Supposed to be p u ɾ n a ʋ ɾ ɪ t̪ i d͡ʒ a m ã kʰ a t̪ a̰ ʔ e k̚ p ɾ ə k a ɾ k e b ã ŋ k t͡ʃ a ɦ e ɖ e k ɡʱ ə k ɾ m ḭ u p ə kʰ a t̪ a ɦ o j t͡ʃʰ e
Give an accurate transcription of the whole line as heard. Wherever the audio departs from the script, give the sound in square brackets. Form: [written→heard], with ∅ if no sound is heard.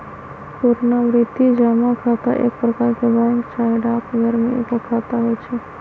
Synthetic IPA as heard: p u ɾ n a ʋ ɾ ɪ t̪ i d͡ʒ a m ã kʰ a t̪ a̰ ʔ e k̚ p ɾ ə k a ɾ k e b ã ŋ k t͡ʃ a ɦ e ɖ [e→a] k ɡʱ ə [k→∅] ɾ m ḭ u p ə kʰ a t̪ a ɦ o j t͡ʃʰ e